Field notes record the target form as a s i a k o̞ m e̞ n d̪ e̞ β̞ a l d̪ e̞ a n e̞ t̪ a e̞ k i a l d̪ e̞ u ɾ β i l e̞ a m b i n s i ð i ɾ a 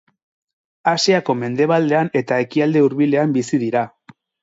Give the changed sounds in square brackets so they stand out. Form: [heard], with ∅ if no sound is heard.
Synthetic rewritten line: a s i a k o̞ m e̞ n d̪ e̞ β̞ a l d̪ e̞ a n e̞ t̪ a e̞ k i a l d̪ e̞ u ɾ β i l e̞ a m b i [∅] s i ð i ɾ a